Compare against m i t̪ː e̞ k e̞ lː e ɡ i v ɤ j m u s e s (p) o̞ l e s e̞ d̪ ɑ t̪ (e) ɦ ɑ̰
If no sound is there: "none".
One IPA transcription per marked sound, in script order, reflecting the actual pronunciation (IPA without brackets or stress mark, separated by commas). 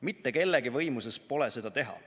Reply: p, e